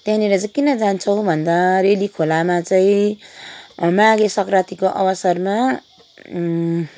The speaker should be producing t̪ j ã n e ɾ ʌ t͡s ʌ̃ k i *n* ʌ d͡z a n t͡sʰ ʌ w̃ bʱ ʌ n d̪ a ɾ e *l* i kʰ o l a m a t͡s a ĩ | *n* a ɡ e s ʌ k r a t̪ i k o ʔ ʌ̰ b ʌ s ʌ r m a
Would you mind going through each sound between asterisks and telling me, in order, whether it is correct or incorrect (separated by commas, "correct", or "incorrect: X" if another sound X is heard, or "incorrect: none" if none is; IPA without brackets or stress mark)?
correct, correct, incorrect: m